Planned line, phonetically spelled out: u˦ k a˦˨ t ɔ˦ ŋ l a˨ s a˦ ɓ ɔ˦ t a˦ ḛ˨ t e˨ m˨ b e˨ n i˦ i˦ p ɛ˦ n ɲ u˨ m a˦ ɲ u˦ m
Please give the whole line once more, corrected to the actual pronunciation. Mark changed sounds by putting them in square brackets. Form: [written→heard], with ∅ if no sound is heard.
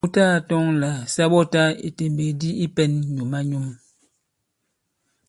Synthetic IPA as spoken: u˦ [k→t] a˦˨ t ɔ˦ ŋ l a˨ s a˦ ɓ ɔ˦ t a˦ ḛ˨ t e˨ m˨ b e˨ [n→d] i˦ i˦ p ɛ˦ n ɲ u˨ m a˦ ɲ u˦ m